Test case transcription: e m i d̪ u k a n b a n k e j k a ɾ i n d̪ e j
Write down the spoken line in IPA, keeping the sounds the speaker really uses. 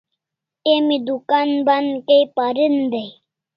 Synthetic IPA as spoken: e m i d̪ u k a n b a n k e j p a ɾ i n d̪ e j